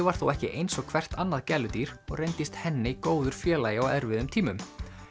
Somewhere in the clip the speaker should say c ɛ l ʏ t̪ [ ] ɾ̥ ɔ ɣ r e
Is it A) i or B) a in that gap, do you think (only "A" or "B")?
A